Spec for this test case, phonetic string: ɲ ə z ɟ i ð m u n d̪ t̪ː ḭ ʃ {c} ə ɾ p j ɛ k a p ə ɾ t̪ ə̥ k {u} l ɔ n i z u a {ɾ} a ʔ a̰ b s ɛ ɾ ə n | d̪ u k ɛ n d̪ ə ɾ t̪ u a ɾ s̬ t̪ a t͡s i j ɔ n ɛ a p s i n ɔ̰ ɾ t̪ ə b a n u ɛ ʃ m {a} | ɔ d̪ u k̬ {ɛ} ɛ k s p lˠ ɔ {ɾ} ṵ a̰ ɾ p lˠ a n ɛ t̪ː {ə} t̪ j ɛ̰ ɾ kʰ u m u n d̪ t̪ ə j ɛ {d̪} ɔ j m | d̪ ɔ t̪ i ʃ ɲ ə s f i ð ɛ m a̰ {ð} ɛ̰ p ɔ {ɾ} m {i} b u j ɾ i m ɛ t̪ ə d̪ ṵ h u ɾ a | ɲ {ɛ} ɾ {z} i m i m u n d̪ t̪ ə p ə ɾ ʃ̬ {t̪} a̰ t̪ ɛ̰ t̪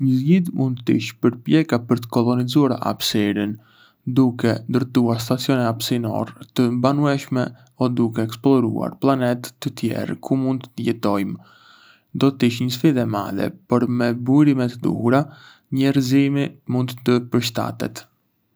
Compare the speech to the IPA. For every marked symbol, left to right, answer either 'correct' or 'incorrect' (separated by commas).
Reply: incorrect, incorrect, correct, incorrect, correct, correct, correct, incorrect, correct, correct, incorrect, correct, correct, correct